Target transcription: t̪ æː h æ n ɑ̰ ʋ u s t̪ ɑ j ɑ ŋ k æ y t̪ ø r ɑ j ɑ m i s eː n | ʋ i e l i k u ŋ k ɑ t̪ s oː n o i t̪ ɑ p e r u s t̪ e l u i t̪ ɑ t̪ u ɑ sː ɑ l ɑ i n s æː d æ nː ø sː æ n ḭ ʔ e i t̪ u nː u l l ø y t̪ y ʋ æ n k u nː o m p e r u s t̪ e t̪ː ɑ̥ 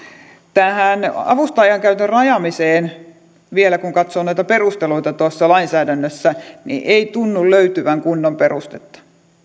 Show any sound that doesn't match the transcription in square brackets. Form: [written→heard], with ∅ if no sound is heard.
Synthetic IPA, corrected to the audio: t̪ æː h æ n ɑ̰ ʋ u s t̪ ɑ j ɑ ŋ k æ y t̪ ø r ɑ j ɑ m i s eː n | ʋ i e l [i→æ] k u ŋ k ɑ t̪ s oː n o i t̪ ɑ p e r u s t̪ e l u i t̪ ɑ t̪ u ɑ sː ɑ l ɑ i n s æː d æ nː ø sː æ n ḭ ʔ e i t̪ u nː u l l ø y t̪ y ʋ æ [n→ŋ] k u nː o m p e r u s t̪ e t̪ː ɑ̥